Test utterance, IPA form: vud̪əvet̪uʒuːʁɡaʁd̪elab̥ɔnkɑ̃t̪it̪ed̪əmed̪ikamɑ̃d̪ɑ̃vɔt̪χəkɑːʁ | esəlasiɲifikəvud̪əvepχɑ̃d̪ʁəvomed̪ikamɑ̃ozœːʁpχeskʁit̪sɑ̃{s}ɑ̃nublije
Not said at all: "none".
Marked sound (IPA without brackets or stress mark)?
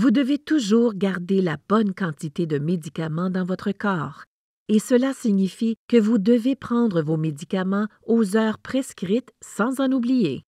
z